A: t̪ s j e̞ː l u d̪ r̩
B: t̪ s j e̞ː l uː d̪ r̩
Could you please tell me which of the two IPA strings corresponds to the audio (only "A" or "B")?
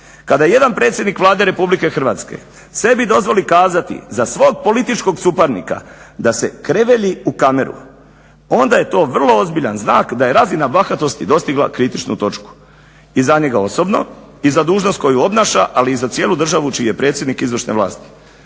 A